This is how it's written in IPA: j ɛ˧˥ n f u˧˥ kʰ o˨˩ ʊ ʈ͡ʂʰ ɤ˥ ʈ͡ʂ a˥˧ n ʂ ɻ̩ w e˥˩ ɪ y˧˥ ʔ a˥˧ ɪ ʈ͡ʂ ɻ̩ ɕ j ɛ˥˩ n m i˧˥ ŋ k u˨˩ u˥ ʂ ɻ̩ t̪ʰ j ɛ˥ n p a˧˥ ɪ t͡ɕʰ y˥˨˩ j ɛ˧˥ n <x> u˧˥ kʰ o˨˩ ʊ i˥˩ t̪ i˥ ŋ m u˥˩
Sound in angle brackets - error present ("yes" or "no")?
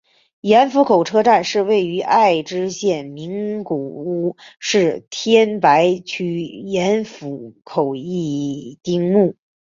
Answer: yes